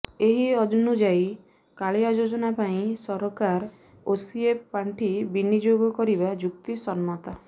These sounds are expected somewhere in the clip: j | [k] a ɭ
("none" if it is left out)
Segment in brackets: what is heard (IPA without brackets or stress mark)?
k